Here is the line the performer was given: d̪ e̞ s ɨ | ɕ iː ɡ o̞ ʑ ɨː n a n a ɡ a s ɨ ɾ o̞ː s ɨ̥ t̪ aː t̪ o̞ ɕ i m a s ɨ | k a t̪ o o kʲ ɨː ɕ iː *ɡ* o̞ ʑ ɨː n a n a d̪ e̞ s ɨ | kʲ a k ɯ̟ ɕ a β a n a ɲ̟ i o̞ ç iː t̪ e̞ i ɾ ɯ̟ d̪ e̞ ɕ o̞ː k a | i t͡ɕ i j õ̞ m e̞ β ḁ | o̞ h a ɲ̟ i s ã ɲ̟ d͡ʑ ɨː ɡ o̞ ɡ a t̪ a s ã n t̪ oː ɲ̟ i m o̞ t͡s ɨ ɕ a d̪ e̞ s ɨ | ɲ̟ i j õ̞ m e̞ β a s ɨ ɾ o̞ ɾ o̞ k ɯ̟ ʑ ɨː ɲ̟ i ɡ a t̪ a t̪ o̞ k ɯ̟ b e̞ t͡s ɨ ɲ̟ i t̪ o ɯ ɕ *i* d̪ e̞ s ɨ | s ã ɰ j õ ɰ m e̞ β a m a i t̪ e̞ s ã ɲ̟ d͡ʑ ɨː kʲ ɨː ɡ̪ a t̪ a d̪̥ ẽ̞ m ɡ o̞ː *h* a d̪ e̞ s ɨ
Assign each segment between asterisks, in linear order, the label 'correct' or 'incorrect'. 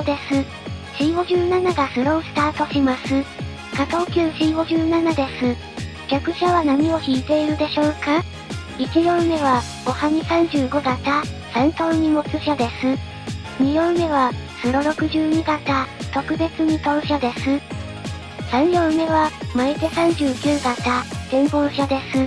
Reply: correct, incorrect, incorrect

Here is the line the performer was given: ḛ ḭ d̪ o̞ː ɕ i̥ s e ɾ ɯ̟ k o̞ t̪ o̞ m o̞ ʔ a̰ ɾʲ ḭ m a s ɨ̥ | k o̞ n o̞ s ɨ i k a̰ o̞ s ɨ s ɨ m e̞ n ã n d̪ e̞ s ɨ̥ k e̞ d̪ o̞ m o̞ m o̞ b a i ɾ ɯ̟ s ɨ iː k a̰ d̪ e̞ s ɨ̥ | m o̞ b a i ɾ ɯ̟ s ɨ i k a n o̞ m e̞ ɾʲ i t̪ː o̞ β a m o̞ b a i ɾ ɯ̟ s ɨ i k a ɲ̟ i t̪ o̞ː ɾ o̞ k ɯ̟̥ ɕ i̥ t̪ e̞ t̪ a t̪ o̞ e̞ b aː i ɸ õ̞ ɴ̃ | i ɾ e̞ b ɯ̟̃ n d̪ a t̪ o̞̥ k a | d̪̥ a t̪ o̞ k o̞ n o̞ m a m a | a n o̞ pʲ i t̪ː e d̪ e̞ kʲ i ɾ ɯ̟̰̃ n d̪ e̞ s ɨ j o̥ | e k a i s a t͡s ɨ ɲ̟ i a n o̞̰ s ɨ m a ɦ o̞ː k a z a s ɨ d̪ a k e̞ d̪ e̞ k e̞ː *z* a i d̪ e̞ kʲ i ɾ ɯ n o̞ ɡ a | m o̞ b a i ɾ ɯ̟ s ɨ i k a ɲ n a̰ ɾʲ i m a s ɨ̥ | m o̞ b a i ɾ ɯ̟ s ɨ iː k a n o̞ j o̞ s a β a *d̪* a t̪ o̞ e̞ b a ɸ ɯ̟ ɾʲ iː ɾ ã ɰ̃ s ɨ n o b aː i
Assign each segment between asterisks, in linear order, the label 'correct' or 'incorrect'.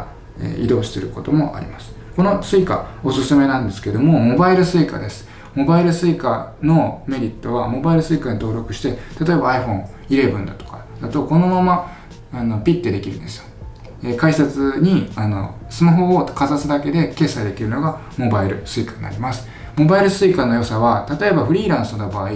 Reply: incorrect, incorrect

